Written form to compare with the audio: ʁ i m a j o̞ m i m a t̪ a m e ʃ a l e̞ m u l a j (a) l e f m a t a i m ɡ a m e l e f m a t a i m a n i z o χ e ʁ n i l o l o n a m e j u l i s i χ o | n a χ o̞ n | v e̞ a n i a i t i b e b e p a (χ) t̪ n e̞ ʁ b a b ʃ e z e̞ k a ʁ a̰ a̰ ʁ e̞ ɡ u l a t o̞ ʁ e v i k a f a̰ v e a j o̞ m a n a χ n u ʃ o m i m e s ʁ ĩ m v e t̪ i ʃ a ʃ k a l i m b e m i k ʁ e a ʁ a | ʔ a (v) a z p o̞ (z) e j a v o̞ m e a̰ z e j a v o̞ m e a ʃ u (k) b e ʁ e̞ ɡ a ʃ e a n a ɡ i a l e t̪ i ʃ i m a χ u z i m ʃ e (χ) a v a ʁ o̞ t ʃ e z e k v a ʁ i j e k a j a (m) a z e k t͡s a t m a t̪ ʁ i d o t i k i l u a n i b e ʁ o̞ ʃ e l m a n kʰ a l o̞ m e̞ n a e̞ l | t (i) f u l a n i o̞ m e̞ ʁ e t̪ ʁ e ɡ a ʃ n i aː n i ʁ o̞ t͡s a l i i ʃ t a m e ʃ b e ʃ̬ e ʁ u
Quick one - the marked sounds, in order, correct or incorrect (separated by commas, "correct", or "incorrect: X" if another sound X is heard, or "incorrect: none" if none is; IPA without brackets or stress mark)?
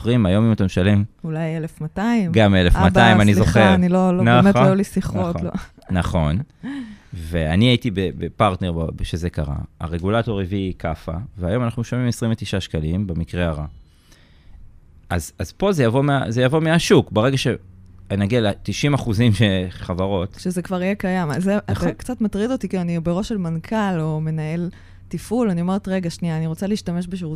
incorrect: e, incorrect: ʁ, incorrect: z, correct, correct, correct, correct, correct